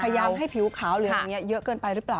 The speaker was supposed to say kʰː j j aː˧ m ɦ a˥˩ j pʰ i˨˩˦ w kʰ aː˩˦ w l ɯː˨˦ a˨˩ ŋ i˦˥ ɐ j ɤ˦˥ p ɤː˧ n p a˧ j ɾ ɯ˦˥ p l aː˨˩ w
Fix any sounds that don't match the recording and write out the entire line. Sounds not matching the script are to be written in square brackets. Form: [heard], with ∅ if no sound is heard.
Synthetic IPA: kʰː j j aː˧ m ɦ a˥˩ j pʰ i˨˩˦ w kʰ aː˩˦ w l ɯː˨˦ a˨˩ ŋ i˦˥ ɐ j ɤ˦˥ [k] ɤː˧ n p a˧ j ɾ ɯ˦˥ p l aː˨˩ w